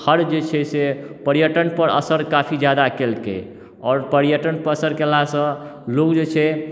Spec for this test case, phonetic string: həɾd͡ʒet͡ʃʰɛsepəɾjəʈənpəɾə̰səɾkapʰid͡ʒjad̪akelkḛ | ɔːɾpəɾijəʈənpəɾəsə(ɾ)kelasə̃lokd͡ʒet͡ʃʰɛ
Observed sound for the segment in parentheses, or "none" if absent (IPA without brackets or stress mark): ɾ